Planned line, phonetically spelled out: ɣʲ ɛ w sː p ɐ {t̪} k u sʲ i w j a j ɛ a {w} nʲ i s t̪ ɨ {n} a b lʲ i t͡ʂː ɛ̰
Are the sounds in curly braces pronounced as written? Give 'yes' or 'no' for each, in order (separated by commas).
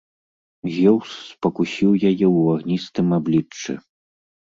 no, no, no